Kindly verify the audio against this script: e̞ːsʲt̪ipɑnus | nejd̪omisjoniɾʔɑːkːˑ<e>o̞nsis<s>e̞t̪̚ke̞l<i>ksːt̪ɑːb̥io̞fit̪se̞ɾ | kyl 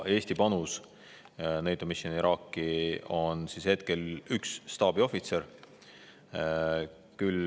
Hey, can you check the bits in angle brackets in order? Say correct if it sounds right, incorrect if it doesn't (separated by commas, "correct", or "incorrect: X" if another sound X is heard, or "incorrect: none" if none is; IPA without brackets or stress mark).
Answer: incorrect: i, incorrect: h, incorrect: y